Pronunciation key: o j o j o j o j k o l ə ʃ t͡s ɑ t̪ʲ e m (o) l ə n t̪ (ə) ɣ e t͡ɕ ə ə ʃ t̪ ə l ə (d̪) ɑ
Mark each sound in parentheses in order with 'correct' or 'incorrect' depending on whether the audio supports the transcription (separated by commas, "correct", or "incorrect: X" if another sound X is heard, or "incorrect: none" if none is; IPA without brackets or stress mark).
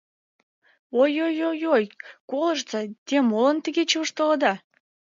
correct, correct, correct